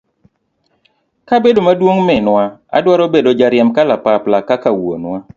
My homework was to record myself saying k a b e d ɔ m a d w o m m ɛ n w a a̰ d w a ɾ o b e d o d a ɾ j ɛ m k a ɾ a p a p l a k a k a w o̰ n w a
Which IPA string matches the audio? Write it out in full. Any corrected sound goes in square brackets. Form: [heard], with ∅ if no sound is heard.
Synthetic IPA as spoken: k a b e d [o] m a d w o [ŋ] m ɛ n w a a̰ d w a ɾ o b e d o [d͡ʒ] a ɾ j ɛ m k a [l] a p a p l a k a k a w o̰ n w a